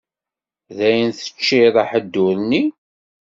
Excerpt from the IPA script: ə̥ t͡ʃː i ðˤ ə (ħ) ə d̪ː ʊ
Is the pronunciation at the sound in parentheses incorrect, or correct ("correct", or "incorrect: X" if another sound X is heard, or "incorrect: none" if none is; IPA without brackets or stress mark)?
correct